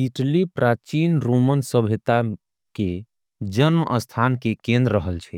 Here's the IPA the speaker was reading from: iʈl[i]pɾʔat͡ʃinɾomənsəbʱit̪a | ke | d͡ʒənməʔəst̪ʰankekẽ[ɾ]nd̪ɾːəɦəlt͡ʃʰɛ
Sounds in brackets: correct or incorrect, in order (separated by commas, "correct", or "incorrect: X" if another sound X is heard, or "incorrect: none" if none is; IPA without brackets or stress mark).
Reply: correct, incorrect: none